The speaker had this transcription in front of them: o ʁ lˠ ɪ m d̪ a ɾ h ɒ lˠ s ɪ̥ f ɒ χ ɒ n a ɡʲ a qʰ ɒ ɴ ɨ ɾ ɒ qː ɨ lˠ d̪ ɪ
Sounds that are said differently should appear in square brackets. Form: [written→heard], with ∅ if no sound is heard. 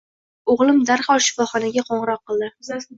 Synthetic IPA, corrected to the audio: o ʁ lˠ ɪ m d̪ a ɾ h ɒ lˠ [s→ʃ] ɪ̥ f ɒ χ ɒ n a ɡʲ a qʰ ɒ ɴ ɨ ɾ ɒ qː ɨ lˠ d̪ ɪ